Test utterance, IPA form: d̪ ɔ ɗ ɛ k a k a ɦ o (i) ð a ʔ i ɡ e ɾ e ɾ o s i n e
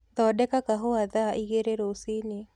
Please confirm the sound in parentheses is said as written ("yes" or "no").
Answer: no